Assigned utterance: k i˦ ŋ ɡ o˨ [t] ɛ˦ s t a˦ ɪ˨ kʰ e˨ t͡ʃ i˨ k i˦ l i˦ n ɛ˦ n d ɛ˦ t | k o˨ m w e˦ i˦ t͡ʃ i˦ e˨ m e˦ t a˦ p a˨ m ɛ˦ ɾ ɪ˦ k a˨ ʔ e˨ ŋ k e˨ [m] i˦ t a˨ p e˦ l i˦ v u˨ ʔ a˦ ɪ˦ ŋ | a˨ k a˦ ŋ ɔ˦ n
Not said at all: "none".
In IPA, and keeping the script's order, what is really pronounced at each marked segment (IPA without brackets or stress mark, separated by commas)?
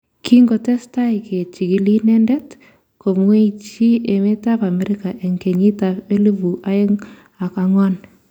t, ɲ